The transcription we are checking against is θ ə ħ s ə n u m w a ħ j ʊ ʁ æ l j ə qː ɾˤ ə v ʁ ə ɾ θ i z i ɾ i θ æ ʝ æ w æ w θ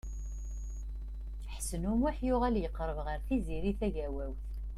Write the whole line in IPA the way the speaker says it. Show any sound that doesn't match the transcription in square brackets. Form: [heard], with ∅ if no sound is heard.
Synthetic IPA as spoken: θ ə ħ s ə n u m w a ħ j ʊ ʁ æ l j ə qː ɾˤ ə v ʁ ə ɾ θ i z i ɾ i θ æ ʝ æ w æ w θ